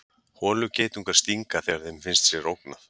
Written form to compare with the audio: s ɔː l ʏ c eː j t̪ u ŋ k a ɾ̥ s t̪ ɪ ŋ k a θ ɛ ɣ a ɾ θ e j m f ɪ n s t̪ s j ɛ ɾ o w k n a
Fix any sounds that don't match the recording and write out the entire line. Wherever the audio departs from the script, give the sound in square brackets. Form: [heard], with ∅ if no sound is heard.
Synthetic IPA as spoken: [h] ɔː l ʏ c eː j t̪ u ŋ k a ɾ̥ s t̪ [i] ŋ k a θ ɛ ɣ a ɾ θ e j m f ɪ n s t̪ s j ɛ ɾ o w k n a